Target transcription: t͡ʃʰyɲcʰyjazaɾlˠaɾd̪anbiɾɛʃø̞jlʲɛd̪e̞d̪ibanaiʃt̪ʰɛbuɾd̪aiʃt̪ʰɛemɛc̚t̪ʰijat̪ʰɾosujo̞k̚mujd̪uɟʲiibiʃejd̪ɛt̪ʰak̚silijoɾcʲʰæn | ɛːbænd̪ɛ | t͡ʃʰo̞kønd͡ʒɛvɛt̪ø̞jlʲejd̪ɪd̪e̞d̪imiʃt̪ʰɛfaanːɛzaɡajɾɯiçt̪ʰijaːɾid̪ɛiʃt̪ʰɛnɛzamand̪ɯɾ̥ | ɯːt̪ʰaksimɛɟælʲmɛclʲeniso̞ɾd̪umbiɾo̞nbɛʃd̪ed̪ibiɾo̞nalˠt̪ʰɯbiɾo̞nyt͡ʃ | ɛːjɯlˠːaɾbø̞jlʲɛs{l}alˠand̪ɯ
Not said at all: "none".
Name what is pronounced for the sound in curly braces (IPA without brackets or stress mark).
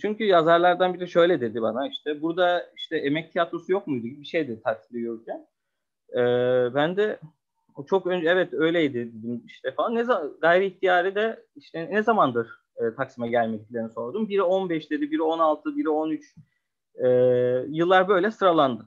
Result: ɾ